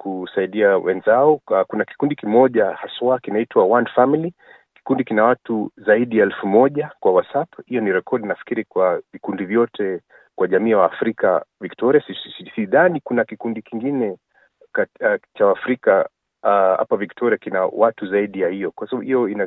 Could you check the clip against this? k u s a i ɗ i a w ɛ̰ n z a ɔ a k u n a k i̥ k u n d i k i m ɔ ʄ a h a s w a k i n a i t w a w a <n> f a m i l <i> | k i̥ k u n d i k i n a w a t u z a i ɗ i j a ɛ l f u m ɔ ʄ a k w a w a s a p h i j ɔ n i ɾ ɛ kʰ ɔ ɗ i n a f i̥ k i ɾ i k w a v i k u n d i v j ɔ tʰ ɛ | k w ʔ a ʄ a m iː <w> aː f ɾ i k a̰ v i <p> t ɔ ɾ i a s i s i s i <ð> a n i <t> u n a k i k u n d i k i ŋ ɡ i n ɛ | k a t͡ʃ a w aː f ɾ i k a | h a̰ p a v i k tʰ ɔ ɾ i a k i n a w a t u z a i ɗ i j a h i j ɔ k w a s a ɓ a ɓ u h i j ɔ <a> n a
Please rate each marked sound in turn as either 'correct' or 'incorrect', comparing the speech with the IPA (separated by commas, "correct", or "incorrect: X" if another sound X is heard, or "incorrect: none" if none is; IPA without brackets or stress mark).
correct, correct, correct, incorrect: k, correct, incorrect: k, incorrect: i